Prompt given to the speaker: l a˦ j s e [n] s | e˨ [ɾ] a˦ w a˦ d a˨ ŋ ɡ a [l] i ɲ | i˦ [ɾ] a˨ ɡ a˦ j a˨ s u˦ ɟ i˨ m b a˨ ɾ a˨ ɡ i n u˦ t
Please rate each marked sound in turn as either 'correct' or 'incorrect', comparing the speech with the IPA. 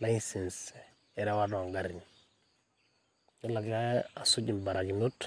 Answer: correct, correct, incorrect: ɾ, incorrect: l

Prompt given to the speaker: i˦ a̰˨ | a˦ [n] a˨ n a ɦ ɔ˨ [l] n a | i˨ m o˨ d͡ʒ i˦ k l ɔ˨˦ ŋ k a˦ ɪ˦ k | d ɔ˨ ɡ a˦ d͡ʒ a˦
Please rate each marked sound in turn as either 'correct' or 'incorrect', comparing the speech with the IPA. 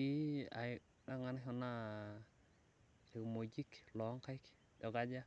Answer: incorrect: ŋ, incorrect: none

